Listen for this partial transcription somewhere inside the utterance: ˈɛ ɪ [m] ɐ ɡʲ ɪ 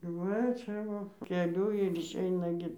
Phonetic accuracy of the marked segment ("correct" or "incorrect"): incorrect